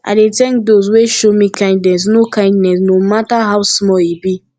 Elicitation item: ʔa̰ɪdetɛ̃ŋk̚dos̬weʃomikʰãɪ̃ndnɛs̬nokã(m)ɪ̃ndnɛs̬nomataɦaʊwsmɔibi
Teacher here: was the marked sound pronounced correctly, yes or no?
no